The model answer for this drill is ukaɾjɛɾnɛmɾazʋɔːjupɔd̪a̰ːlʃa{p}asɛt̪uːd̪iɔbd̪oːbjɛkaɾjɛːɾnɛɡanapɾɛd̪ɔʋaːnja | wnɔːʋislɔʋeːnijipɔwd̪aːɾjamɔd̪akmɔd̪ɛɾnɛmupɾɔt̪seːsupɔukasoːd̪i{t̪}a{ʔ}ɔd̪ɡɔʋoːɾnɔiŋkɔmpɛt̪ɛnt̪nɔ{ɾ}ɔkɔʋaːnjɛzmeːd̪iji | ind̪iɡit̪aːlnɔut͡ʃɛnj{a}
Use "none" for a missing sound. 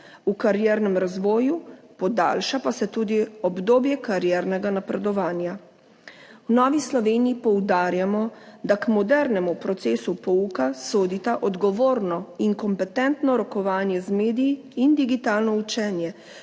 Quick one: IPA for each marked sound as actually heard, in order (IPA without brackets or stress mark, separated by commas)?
p, t̪, ʔ, ɾ, ɛ